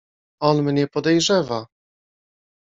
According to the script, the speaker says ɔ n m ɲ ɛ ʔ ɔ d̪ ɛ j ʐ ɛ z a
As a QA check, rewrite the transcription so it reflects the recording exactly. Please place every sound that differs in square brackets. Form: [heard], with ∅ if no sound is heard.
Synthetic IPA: ɔ n m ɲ ɛ [p] ɔ d̪ ɛ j ʐ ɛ [v] a